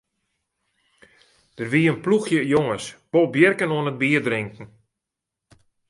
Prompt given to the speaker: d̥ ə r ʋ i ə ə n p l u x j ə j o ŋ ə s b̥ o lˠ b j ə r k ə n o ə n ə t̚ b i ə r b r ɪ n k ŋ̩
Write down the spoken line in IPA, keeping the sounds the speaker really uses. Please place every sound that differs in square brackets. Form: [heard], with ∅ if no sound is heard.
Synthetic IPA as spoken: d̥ ə r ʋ i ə ə n p l u x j ə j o ŋ ə s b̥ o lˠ b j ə r k ə n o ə n ə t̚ b i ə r [d] r ɪ [ŋ] k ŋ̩